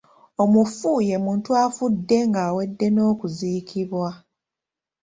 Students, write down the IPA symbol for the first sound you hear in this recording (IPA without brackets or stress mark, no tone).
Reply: o̞